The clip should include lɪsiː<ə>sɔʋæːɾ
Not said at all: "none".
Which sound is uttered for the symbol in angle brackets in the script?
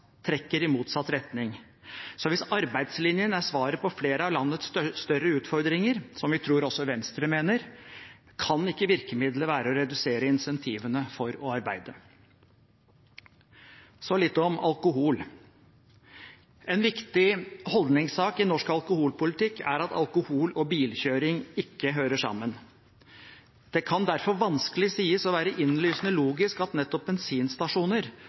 ə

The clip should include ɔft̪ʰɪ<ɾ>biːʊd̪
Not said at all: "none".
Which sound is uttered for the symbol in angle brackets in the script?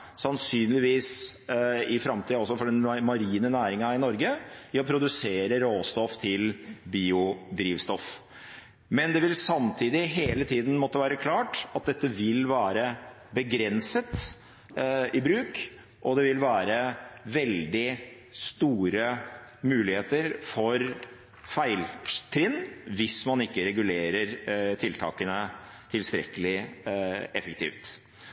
l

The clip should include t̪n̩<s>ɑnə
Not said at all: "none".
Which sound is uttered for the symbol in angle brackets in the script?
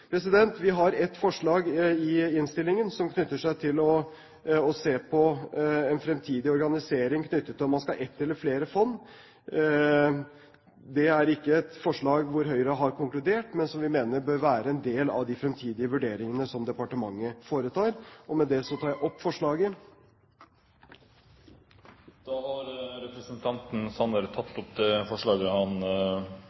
s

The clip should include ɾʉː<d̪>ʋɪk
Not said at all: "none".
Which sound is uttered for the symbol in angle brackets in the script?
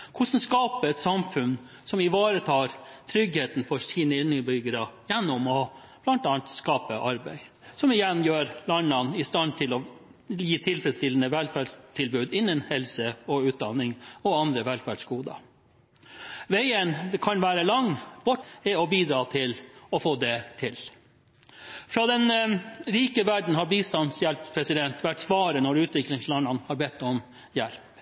t̪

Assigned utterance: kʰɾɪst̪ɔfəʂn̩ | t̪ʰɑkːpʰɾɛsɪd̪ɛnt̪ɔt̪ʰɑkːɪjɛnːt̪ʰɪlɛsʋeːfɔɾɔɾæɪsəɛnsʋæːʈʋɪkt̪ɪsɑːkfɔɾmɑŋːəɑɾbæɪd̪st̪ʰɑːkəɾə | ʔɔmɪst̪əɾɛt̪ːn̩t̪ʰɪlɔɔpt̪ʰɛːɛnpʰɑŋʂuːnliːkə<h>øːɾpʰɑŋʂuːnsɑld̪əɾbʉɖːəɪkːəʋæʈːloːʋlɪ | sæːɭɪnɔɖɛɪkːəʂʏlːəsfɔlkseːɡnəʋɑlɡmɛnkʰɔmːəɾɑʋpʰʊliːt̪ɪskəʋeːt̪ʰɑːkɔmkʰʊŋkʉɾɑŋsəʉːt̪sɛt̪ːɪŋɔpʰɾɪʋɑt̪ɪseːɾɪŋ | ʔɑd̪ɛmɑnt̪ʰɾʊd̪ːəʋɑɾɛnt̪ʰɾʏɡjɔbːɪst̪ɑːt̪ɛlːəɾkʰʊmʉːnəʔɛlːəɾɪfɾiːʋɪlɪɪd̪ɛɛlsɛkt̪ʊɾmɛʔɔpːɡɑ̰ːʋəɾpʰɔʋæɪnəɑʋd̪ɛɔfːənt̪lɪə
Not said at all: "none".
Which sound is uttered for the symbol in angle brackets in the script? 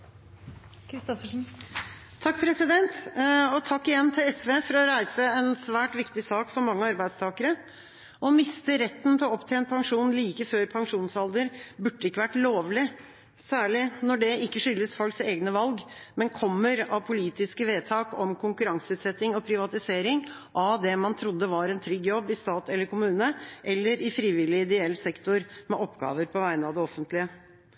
f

